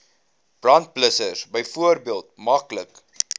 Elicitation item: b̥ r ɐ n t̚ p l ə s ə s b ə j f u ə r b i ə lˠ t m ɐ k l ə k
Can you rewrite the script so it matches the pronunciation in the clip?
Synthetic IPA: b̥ r ɐ n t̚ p l ə s ə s b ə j f u ə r b i ə lˠ t m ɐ k l ə k